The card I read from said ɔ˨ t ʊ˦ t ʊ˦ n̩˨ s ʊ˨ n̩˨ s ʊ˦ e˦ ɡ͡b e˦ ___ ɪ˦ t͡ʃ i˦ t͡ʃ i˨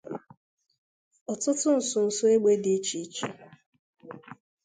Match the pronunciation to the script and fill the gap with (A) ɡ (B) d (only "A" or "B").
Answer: B